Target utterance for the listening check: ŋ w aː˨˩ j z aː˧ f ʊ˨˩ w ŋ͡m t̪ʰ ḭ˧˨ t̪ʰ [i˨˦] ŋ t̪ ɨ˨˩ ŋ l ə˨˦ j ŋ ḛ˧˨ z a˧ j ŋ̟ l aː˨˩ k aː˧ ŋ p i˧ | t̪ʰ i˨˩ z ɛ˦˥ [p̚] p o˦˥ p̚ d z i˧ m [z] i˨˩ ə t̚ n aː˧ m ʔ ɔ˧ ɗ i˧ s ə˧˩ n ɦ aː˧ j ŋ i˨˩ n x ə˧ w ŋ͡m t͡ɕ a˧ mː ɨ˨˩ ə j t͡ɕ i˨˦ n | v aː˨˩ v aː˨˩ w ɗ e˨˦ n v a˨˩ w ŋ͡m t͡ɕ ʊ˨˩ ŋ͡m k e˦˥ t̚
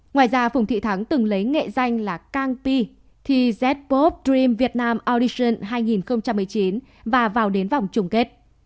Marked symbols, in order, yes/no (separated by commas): no, no, no